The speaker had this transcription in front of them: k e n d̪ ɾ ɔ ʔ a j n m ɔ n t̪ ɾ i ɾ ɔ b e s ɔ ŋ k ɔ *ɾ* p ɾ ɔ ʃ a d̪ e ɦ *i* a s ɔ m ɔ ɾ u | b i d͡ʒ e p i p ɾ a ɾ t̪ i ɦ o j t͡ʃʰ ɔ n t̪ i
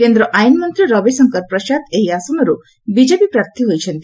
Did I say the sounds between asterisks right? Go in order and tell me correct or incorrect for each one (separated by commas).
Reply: correct, correct